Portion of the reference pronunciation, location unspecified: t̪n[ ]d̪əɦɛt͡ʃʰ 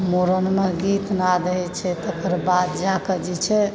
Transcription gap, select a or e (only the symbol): a